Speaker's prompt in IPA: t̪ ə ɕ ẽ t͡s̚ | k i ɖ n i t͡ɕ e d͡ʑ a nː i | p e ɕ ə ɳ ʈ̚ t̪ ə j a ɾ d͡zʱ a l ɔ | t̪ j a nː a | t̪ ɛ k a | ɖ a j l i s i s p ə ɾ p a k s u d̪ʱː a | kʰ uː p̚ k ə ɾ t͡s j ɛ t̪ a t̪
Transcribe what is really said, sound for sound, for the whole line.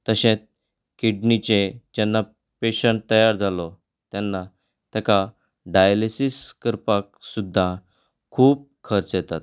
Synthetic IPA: t̪ ə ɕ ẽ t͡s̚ | k i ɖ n i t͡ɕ e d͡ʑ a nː a | p e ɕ ə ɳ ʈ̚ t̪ ə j a ɾ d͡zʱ a l ɔ | t̪ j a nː a | t̪ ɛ k a | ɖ a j l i s i s k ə ɾ p a k s u d̪ʱː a | kʰ uː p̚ kʰ ə ɾ t͡s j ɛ t̪ a t̪